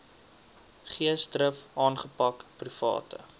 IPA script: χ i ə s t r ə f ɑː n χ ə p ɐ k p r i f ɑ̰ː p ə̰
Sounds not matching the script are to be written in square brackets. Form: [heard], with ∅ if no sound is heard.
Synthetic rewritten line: χ i ə s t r ə f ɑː n χ ə p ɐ k p r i f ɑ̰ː [t] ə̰